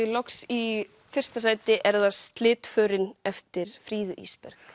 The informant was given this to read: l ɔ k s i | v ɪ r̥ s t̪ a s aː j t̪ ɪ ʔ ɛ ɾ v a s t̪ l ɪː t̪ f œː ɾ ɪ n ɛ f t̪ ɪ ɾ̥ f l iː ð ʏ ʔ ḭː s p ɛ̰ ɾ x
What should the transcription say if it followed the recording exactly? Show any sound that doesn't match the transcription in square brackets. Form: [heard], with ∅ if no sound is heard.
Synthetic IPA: l ɔ k s i | [f] ɪ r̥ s t̪ a s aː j t̪ ɪ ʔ ɛ ɾ [ð] a s t̪ l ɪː t̪ f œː ɾ ɪ n ɛ f t̪ ɪ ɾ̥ f [ɾ] iː ð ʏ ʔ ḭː s p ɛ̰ ɾ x